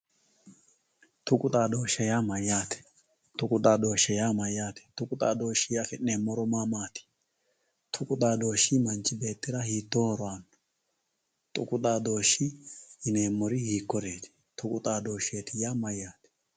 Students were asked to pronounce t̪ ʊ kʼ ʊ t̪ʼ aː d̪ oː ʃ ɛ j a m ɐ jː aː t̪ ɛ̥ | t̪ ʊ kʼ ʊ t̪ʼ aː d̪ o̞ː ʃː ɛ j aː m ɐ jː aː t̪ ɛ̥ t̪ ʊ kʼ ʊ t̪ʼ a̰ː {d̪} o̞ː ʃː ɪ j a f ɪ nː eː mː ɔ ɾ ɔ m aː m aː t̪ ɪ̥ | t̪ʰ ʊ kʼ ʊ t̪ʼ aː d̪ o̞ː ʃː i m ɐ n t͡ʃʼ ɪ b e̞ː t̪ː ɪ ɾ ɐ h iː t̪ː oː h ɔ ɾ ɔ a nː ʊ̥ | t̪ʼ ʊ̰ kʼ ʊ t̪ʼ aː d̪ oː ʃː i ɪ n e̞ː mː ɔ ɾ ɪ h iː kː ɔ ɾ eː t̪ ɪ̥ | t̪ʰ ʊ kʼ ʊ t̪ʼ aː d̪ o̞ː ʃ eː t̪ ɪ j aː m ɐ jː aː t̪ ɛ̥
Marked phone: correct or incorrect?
correct